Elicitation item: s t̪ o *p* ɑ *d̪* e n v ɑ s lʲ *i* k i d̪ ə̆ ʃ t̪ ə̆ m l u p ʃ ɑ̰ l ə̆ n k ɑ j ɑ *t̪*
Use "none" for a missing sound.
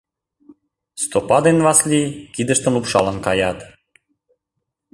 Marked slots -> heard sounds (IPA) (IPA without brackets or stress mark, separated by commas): p, d̪, i, t̪